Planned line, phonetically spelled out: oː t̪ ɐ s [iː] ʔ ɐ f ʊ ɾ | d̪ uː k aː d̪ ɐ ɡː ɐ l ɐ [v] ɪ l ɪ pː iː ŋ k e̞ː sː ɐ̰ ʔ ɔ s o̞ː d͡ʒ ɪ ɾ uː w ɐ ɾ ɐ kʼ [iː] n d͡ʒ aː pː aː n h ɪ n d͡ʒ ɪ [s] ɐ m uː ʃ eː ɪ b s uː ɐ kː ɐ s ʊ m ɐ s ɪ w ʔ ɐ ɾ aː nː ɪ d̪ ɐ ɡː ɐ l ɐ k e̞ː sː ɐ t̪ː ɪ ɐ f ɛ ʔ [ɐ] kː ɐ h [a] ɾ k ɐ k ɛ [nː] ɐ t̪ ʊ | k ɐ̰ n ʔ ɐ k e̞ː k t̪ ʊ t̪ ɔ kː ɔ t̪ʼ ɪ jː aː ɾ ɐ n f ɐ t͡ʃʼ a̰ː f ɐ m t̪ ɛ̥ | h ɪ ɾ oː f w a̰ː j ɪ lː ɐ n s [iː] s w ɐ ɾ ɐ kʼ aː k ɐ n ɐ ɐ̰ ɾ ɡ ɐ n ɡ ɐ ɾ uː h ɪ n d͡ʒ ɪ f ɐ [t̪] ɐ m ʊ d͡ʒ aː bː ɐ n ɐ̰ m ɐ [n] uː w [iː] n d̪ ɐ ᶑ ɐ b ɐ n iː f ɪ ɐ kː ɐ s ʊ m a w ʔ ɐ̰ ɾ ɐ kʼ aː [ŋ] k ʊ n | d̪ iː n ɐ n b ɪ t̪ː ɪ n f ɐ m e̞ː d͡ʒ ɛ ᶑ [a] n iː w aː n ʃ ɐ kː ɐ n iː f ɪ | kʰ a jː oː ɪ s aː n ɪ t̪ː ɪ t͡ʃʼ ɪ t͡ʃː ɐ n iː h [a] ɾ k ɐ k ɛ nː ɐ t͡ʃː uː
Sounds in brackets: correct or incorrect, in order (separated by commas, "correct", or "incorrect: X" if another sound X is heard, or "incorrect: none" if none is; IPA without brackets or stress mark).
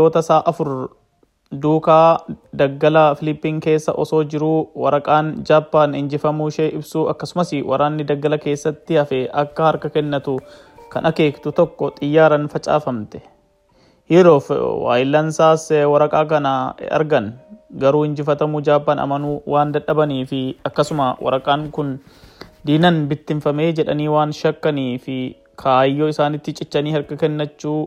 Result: incorrect: aː, incorrect: f, incorrect: aː, incorrect: f, correct, incorrect: ɐ, correct, incorrect: aː, correct, correct, incorrect: aː, correct, incorrect: ɐ, incorrect: ɐ